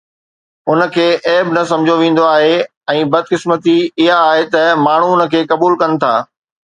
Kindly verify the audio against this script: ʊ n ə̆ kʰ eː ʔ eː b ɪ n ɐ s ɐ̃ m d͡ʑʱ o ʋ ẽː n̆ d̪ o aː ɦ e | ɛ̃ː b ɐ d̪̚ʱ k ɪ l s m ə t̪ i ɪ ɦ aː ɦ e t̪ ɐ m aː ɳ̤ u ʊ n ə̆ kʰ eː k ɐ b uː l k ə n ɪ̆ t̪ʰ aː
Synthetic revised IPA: ʊ n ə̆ kʰ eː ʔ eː b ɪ n ɐ s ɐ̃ m d͡ʑʱ o ʋ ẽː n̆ d̪ o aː ɦ e | ɛ̃ː b ɐ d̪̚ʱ k ɪ s m ə t̪ i ɪ ɦ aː ɦ e t̪ ɐ m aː ɳ̤ u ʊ n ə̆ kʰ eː k ɐ b uː l k ɐ n ɪ̆ t̪ʰ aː